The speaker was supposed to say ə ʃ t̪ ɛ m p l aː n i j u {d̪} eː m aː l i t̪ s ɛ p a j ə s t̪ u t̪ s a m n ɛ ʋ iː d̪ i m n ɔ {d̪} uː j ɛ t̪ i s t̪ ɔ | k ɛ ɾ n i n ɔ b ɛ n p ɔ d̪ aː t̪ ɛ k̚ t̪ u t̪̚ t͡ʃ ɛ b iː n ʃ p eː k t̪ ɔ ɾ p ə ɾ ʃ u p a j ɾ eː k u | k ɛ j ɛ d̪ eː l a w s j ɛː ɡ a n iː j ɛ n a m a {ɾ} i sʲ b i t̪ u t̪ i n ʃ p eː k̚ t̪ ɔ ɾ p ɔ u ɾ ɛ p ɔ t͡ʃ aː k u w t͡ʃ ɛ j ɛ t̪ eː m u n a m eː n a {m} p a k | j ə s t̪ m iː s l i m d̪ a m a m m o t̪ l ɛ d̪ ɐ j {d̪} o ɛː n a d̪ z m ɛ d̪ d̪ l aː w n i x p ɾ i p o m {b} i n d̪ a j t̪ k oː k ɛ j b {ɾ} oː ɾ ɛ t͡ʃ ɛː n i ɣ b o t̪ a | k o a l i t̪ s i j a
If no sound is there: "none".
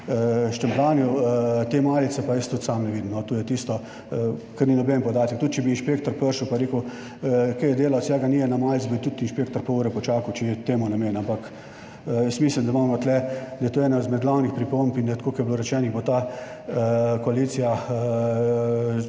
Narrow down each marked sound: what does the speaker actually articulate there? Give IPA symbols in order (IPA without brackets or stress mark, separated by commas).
t̪, t̪, l, m, t̪, p, l